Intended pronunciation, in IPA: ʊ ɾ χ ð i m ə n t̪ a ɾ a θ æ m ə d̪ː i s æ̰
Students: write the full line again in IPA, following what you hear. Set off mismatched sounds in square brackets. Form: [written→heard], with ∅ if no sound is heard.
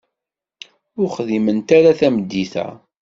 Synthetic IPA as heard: ʊ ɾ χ ð i m ə n t̪ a ɾ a θ æ m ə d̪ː i [s→θ] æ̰